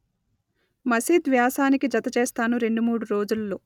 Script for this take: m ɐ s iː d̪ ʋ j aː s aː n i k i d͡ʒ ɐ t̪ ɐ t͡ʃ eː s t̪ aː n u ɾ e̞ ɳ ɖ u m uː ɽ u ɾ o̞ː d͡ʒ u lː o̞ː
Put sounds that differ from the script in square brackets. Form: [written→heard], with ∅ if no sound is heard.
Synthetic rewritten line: m ɐ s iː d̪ ʋ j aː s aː n i k i d͡ʒ ɐ t̪ ɐ t͡ʃ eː s t̪ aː n u ɾ e̞ ɳ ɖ u m uː ɽ u ɾ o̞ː d͡ʒ u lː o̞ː